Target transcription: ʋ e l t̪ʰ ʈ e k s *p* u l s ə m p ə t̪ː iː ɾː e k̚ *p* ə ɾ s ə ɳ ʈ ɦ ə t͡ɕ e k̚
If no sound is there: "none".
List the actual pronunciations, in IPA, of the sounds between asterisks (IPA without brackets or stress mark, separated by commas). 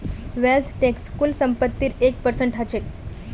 k, p